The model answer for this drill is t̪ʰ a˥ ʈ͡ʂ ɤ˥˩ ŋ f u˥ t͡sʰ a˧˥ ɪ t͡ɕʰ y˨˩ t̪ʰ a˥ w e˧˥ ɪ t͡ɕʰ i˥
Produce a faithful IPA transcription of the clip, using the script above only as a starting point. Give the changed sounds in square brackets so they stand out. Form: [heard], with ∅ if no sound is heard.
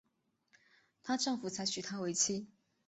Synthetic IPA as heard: t̪ʰ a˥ ʈ͡ʂ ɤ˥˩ ŋ f [u˨˩] t͡sʰ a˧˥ ɪ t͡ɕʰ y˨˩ t̪ʰ a˥ w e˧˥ ɪ t͡ɕʰ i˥

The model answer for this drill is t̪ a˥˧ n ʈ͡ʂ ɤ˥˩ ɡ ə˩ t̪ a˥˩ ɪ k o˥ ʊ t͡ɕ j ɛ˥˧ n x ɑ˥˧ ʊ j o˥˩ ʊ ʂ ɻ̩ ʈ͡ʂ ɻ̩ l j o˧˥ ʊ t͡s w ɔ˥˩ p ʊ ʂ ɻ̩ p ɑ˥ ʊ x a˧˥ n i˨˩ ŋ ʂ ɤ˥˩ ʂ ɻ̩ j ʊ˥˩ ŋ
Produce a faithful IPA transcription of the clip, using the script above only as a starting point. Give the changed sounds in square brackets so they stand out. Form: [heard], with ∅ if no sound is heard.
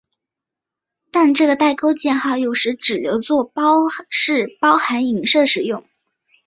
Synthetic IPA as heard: t̪ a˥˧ n ʈ͡ʂ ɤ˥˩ ɡ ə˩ t̪ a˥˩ ɪ k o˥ ʊ t͡ɕ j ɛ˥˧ n x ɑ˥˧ ʊ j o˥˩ ʊ ʂ ɻ̩ ʈ͡ʂ ɻ̩ l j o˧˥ ʊ t͡s w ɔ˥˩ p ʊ ʂ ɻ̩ p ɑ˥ ʊ x a˧˥ n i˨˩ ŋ ʂ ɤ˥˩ ʂ ɻ̩ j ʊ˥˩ ŋ

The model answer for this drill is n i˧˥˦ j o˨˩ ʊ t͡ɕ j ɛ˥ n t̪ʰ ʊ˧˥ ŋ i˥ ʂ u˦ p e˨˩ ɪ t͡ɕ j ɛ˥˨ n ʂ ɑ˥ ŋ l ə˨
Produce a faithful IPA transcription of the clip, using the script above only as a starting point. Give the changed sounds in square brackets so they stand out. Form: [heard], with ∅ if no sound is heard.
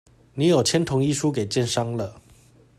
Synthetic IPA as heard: n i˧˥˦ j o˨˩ ʊ [t͡ɕʰ] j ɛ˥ n t̪ʰ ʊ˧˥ ŋ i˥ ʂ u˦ [k] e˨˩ ɪ t͡ɕ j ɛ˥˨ n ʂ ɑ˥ ŋ l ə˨

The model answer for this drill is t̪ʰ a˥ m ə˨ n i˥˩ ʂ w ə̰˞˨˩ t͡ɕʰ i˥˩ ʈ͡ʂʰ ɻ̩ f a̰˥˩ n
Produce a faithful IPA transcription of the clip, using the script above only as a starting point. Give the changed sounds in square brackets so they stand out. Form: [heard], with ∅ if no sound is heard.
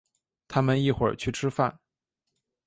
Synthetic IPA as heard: t̪ʰ a˥ m ə˨ n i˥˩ [x] w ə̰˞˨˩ t͡ɕʰ [y˥˩] ʈ͡ʂʰ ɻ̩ f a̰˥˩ n

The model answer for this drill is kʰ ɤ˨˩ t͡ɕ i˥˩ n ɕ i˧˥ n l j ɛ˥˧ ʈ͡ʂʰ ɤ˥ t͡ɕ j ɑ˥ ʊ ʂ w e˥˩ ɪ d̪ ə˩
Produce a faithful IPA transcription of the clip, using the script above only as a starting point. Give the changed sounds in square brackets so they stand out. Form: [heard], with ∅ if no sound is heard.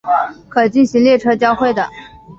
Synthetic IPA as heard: kʰ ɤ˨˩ t͡ɕ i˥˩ n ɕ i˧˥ [ŋ] l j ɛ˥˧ ʈ͡ʂʰ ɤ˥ t͡ɕ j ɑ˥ ʊ [x] w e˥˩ ɪ d̪ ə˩

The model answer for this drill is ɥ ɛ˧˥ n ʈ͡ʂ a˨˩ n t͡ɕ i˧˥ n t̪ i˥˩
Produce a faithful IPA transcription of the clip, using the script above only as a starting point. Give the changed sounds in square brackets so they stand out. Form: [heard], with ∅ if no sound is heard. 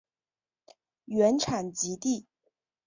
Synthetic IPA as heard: ɥ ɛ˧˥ n [ʈ͡ʂʰ] a˨˩ n t͡ɕ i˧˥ [∅] t̪ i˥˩

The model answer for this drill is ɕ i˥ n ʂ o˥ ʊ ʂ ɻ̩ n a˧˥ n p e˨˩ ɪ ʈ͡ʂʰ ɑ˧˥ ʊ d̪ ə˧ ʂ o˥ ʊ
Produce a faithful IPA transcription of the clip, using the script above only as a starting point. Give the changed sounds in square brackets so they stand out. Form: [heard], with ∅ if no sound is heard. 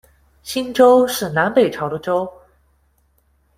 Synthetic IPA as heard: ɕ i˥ n [ʈ͡ʂ] o˥ ʊ ʂ ɻ̩ n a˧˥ n p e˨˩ ɪ ʈ͡ʂʰ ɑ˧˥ ʊ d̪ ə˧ [ʈ͡ʂ] o˥ ʊ

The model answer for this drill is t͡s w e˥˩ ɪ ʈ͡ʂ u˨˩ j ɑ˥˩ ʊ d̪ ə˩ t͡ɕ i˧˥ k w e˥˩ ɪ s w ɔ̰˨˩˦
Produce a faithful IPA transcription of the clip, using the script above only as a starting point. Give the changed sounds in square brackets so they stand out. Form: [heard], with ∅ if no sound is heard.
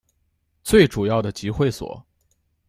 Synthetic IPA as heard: t͡s w e˥˩ ɪ ʈ͡ʂ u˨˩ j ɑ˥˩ ʊ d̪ ə˩ t͡ɕ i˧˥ [x] w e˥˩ ɪ s w ɔ̰˨˩˦

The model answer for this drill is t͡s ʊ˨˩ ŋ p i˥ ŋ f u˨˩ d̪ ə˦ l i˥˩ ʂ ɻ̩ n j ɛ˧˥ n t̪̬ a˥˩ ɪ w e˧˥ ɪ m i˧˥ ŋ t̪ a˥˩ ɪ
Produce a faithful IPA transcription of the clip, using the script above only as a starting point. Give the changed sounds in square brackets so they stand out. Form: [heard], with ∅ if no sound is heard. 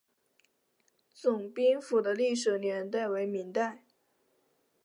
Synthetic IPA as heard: t͡s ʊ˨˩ ŋ p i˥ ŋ f u˨˩ d̪ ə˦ l i˥˩ ʂ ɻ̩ n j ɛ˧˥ n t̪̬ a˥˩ ɪ w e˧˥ ɪ m i˧˥ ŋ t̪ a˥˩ ɪ

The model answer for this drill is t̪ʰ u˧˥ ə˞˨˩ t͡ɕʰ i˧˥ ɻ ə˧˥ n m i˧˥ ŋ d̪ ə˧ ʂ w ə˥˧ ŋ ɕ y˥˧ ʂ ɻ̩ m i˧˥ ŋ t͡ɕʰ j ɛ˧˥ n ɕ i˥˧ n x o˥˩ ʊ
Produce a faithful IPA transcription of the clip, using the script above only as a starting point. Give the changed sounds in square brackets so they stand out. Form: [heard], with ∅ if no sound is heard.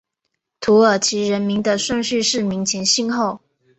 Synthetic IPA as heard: t̪ʰ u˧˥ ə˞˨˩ t͡ɕʰ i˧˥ ɻ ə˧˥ n m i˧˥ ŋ d̪ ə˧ ʂ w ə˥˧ ŋ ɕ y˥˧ ʂ ɻ̩ m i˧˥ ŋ t͡ɕʰ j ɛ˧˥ n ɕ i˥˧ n x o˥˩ ʊ

